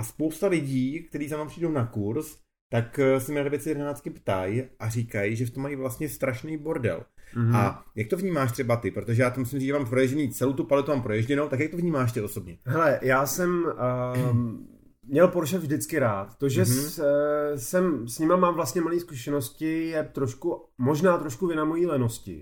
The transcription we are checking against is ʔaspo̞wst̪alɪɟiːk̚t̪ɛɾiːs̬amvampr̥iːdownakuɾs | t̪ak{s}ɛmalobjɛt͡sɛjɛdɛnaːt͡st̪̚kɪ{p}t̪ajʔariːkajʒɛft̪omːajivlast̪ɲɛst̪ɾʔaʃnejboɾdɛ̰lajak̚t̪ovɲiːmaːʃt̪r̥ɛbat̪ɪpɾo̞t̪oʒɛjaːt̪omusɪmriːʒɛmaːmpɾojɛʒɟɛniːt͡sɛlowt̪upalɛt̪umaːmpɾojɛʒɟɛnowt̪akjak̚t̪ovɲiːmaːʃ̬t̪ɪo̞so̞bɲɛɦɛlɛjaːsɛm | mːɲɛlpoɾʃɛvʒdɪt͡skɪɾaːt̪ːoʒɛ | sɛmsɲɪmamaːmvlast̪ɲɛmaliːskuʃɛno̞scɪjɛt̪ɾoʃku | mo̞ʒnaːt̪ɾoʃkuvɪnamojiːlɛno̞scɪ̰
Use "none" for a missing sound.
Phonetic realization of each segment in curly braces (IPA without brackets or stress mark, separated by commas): s, p